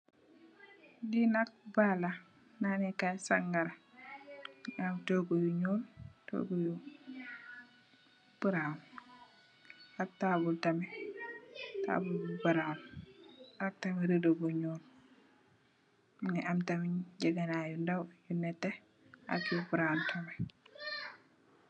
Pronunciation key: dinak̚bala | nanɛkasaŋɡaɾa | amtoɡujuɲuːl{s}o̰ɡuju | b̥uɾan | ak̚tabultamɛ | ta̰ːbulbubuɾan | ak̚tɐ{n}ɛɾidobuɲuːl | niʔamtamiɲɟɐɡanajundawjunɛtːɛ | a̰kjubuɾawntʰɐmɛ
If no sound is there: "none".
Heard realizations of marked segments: t, m

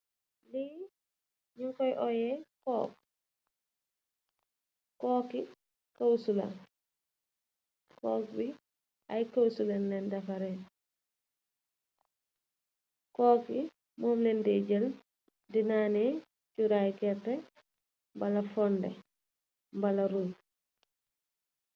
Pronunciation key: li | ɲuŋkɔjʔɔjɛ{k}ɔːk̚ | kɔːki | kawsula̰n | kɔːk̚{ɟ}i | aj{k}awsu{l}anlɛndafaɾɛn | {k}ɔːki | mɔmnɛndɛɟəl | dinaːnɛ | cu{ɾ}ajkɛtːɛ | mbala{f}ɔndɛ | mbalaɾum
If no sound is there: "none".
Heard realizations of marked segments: k, b, k, l, k, ɾ, f

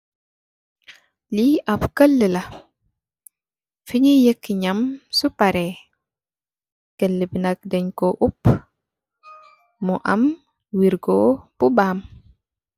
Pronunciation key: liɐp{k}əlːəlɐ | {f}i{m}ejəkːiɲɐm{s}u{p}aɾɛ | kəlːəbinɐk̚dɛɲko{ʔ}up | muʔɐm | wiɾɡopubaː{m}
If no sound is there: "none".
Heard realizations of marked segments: k, f, ɲ, s, p, ʔ, m

